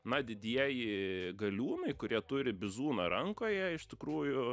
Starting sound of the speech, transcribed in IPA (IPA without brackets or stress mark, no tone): n